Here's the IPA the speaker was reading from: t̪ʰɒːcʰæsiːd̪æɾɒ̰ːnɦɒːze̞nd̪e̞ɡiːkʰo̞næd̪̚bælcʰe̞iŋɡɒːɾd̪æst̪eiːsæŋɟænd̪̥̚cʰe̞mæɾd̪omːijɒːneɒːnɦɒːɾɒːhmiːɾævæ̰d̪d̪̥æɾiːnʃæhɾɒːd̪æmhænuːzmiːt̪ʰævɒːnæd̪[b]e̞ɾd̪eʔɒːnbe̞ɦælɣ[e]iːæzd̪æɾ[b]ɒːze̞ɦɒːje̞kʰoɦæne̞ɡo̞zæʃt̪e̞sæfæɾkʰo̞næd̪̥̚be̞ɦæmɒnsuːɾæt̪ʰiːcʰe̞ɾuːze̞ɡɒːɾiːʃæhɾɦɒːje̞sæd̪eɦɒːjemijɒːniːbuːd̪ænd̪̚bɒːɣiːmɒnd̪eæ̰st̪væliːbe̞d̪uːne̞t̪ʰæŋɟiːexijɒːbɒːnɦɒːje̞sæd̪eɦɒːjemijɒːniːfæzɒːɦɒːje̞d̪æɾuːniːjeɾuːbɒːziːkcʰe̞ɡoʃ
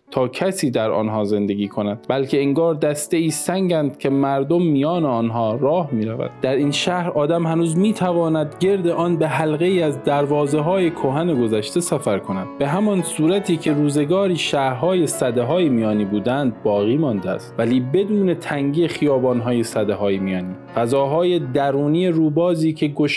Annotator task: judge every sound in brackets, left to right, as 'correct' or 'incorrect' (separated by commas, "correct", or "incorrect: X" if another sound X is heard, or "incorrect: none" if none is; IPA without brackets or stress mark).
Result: incorrect: ɟ, correct, incorrect: v